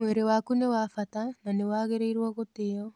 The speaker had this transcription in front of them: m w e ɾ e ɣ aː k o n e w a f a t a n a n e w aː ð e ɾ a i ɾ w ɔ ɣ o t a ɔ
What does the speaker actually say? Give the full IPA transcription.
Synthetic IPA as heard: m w e ɾ e w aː k u n e w a f a t a n a n e w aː ɣ e ɾ e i ɾ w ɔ ɣ o t e ɔ